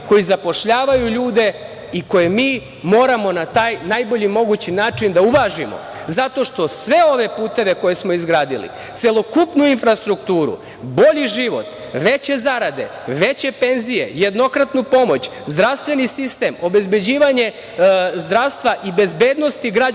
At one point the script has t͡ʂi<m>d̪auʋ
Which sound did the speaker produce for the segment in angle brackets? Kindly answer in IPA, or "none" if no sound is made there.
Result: n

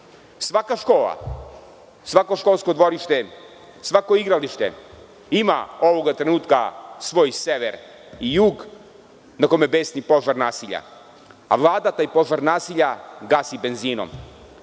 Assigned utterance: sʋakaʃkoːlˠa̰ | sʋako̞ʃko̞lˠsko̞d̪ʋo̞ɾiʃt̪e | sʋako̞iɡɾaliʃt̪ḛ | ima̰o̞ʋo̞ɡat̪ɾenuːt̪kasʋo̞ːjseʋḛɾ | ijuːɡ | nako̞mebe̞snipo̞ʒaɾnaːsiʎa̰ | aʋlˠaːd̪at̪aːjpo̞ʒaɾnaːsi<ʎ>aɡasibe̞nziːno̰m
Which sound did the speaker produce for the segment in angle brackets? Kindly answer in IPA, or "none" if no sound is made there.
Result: ʎ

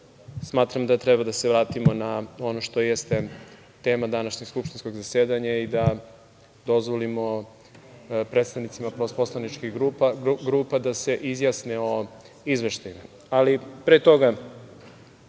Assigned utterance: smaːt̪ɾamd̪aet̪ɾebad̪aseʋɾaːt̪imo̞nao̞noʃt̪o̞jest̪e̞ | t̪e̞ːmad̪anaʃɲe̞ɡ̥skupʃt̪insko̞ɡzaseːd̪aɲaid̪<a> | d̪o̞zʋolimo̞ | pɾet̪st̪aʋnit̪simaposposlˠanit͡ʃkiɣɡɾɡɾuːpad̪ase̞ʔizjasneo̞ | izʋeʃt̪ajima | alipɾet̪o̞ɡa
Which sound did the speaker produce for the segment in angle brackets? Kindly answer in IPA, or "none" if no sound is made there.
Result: a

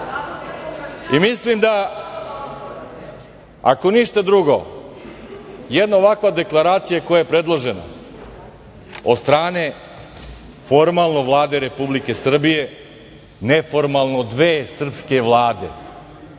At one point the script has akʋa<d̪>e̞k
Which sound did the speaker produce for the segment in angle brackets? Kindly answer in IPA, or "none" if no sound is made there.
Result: d̪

